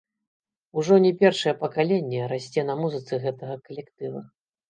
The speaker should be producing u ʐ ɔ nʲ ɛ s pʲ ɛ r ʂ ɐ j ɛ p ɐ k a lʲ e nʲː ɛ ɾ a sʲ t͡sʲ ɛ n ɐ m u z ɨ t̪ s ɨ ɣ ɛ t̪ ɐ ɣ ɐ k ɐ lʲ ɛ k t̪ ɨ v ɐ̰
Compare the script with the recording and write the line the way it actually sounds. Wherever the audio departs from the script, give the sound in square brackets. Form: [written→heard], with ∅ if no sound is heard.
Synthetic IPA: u ʐ ɔ nʲ ɛ [s→∅] pʲ ɛ r ʂ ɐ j ɛ p ɐ k a lʲ e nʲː ɛ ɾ a sʲ t͡sʲ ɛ n ɐ m u z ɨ t̪ s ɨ ɣ ɛ t̪ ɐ ɣ ɐ k ɐ lʲ ɛ k t̪ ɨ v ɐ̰